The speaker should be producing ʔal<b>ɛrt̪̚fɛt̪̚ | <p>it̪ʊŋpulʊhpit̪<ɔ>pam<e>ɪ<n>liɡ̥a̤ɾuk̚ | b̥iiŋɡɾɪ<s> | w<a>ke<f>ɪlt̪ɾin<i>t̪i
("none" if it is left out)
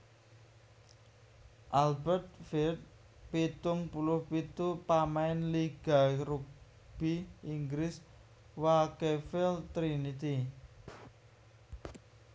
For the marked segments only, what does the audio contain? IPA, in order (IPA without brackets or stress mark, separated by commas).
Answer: b, p, u, a, n, s, a, f, i